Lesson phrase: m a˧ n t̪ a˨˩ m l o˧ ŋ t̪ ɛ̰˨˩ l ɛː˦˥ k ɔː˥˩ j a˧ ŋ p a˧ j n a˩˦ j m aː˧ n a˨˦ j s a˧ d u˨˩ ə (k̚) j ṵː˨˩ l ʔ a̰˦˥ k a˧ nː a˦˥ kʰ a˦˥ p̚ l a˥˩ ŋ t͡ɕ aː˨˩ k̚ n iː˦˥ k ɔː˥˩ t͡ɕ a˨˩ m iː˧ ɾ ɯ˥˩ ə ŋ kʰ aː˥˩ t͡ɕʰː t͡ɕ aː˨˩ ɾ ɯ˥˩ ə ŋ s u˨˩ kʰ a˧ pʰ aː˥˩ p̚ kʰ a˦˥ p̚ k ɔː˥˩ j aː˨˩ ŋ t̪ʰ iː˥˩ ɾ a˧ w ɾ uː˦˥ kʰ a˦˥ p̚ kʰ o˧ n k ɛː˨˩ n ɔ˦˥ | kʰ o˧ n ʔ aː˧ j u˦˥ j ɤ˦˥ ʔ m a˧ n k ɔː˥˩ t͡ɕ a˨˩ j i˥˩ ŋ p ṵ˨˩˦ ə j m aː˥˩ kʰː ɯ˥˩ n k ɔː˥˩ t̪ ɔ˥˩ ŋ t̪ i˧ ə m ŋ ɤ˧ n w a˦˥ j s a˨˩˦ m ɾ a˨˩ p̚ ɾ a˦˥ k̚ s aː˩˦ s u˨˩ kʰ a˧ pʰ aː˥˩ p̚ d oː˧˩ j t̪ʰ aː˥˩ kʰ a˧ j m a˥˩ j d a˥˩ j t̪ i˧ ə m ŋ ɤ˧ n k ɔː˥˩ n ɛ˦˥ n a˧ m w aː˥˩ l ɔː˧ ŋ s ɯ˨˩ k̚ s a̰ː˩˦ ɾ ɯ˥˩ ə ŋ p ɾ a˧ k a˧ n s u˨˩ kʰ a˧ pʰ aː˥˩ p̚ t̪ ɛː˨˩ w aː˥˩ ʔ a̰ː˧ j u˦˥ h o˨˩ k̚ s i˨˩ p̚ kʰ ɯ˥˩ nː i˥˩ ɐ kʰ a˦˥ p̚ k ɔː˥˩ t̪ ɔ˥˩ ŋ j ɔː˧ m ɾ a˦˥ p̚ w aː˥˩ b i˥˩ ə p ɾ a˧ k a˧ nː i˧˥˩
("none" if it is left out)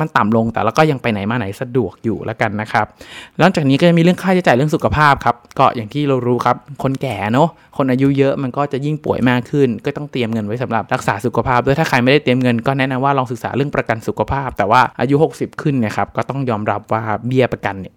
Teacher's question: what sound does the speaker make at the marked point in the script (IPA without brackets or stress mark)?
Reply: k̚